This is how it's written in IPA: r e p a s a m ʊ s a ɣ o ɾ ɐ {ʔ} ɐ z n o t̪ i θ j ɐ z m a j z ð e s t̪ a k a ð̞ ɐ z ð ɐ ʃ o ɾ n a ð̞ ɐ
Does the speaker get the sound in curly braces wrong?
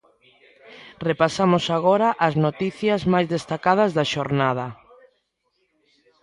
no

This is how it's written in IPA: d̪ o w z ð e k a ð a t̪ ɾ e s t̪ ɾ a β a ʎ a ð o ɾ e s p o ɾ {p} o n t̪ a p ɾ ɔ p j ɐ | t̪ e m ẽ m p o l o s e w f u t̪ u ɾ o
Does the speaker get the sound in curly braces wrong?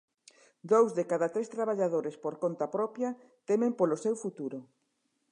yes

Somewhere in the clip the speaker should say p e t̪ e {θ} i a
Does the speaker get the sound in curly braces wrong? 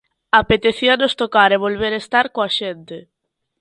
no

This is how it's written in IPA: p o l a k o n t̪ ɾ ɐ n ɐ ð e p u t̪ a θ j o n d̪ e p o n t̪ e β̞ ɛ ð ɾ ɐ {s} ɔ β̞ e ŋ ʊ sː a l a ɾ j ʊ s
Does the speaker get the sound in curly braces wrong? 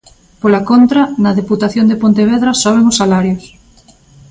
no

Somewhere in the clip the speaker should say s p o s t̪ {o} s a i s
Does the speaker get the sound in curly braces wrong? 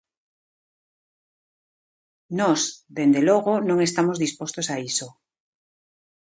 no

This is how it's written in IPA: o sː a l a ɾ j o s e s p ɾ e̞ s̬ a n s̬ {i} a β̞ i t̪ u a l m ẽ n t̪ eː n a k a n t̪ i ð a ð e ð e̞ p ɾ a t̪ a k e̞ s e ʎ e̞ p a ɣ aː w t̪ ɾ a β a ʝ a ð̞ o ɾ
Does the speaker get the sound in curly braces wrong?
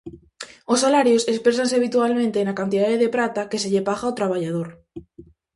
yes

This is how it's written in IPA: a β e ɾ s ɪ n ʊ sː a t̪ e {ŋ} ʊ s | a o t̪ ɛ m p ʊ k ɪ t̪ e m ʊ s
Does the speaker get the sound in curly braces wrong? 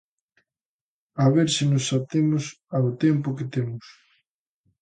yes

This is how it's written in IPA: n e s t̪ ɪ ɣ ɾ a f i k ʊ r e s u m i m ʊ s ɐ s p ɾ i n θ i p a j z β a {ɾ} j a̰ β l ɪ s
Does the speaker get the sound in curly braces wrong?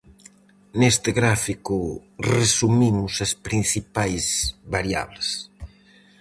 no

